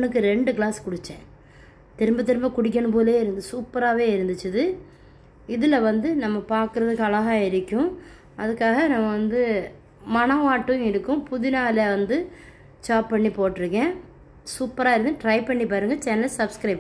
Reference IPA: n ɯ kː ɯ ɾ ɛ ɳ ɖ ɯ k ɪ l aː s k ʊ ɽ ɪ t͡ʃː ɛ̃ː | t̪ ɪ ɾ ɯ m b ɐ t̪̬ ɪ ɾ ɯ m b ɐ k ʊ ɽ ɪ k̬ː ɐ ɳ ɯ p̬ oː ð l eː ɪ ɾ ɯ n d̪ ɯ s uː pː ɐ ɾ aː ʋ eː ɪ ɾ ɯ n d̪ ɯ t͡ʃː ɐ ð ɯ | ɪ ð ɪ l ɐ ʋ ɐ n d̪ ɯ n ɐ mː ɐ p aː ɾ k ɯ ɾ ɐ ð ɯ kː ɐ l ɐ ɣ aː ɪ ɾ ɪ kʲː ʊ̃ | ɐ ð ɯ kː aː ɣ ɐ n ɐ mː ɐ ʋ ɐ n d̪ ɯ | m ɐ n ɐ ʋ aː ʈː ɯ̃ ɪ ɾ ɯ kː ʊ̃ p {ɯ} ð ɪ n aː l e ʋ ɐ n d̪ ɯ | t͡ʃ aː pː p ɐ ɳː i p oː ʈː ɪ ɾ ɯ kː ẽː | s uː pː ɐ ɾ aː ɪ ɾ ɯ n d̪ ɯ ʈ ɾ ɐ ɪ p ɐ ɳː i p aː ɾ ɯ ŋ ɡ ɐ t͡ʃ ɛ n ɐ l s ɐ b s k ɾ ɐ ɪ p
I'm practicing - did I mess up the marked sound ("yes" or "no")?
yes